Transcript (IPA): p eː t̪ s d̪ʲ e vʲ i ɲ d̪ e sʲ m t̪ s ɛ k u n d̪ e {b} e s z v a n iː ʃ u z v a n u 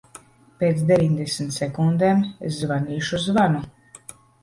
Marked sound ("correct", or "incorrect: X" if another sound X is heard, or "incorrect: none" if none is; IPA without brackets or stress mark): incorrect: m